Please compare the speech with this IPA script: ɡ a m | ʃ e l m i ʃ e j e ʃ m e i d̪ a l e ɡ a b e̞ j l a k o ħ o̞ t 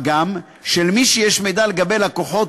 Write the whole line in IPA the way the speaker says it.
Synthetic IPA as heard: ɡ a m | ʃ e l m i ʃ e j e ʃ m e j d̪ a l e ɡ a b e̞ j l a k o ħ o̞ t